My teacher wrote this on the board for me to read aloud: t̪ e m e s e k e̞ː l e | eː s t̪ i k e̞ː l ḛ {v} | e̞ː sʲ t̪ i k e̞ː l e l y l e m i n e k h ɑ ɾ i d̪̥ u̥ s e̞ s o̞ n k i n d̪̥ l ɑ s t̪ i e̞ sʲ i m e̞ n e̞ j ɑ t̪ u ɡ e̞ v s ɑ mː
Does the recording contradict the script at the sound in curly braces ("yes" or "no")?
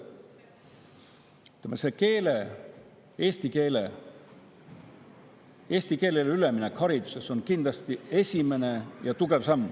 yes